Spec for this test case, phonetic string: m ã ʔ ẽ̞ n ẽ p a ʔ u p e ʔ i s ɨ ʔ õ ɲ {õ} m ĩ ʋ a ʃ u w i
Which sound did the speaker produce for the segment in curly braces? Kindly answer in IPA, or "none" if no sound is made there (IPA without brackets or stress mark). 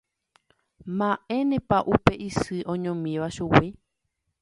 õ